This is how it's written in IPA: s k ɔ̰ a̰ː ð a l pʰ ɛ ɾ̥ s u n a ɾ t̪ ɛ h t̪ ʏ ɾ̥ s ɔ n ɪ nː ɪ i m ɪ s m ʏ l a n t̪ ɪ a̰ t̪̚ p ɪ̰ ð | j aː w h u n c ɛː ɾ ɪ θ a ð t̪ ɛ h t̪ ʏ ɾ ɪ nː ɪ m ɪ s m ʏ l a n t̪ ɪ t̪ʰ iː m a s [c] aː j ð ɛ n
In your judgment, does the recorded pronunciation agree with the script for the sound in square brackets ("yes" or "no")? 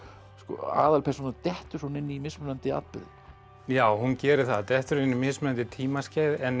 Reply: yes